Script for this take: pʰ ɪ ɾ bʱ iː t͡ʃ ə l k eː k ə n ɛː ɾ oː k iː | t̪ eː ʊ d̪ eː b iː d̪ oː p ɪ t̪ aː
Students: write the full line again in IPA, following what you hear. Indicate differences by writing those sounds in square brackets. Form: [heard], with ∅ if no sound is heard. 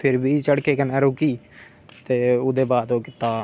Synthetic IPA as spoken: pʰ ɪ ɾ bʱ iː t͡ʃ ə [ɽ] k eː k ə n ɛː ɾ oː k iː | t̪ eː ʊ d̪ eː b [aː] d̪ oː [k] ɪ t̪ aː